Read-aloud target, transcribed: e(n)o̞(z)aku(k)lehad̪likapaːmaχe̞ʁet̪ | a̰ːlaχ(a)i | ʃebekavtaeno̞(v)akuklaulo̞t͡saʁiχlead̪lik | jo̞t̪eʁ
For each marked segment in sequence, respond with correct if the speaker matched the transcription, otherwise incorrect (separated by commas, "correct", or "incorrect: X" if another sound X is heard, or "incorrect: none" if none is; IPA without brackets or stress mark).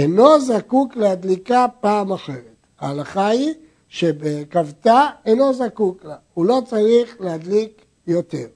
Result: correct, correct, correct, correct, incorrect: z